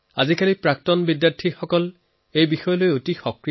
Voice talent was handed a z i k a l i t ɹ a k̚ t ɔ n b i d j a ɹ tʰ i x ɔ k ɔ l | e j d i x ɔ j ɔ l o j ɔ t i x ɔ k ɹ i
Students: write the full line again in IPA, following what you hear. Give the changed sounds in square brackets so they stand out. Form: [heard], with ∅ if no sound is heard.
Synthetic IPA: a z i k a l i [p] ɹ a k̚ t ɔ n b i d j a ɹ tʰ i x ɔ k ɔ l | e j [b] i x ɔ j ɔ l o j [o] t i x ɔ k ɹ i